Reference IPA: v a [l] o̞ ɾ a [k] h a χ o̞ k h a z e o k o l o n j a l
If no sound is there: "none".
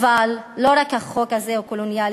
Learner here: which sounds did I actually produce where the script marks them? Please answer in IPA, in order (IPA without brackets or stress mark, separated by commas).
lː, k